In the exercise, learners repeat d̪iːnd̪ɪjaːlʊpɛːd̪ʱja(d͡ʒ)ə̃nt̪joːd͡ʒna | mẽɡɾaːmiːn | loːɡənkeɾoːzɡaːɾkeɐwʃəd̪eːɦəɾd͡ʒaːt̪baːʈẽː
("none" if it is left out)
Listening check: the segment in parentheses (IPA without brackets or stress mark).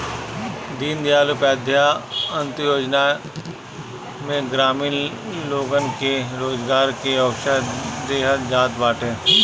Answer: none